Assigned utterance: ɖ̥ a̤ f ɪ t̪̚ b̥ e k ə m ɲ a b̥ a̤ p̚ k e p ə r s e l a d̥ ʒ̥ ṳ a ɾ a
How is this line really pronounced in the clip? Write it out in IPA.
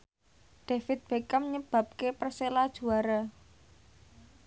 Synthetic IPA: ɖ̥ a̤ f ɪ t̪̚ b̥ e k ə m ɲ ə b̥ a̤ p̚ k e p ə r s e l a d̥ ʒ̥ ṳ a ɾ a